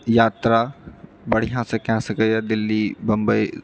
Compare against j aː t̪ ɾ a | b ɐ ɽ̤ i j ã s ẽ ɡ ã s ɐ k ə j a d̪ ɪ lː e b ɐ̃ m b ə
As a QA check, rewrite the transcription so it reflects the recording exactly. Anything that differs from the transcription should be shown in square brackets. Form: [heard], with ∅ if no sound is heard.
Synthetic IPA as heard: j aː t̪ ɾ a | b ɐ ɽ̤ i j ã s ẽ [k] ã s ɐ k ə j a d̪ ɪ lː [i] b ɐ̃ m b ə